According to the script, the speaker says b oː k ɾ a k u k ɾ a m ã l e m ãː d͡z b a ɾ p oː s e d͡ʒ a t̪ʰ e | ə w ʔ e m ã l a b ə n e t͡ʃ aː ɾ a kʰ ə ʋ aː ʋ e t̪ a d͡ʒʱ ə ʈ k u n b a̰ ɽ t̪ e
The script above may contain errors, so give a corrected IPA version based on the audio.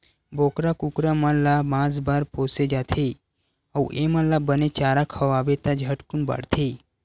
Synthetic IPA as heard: b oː k ɾ a k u k ɾ a m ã l a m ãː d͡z b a ɾ p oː s e d͡ʒ a t̪ʰ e | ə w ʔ e m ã l a b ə n e t͡ʃ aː ɾ a kʰ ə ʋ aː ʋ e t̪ a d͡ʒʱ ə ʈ k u n b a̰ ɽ t̪ʰ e